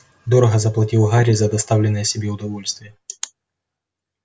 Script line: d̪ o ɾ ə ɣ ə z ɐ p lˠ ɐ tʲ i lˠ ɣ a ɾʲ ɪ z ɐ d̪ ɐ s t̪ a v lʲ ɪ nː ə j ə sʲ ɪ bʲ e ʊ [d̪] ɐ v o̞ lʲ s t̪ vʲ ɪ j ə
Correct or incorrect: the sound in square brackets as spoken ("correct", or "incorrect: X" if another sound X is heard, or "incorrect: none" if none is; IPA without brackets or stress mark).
correct